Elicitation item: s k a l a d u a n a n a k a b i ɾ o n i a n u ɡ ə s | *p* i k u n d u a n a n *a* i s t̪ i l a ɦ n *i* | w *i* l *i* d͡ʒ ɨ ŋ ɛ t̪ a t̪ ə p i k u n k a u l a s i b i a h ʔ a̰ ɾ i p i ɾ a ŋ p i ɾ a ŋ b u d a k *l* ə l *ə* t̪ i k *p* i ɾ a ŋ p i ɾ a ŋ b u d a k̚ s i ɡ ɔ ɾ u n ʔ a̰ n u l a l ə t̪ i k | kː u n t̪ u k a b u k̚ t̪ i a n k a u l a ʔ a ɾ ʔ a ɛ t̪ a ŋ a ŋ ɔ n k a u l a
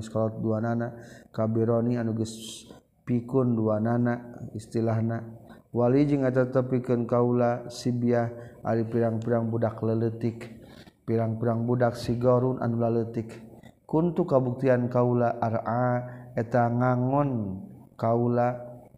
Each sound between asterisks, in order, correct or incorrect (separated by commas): correct, correct, incorrect, incorrect, correct, correct, correct, correct